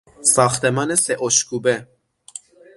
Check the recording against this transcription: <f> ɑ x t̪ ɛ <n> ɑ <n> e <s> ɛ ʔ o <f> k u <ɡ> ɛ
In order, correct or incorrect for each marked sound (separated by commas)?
incorrect, incorrect, correct, correct, incorrect, incorrect